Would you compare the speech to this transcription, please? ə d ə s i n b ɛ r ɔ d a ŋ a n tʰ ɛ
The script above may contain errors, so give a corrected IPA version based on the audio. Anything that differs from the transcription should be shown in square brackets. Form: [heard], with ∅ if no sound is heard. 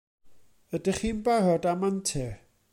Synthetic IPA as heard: ə d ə [χ] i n b [a] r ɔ d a [m] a n tʰ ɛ